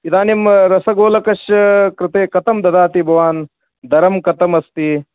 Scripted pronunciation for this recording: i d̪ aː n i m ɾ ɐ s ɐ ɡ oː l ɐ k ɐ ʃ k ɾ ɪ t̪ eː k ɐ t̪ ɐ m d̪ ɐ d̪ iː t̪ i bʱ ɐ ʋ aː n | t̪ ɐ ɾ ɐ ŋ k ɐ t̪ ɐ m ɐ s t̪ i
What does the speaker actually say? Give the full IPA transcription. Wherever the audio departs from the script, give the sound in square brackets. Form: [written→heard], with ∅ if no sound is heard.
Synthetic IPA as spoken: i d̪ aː n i m ɾ ɐ s ɐ ɡ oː l ɐ k ɐ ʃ k ɾ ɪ t̪ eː k ɐ t̪ ɐ m d̪ ɐ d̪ [iː→aː] t̪ i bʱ ɐ ʋ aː n | [t̪→d̪] ɐ ɾ ɐ [ŋ→m] k ɐ t̪ ɐ m ɐ s t̪ i